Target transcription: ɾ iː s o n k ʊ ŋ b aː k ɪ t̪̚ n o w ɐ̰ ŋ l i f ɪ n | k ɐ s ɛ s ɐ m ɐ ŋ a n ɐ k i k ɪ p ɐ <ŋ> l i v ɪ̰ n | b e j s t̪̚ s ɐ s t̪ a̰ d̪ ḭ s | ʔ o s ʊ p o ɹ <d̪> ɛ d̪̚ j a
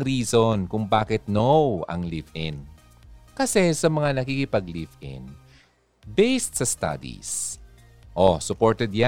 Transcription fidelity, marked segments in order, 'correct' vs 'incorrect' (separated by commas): incorrect, incorrect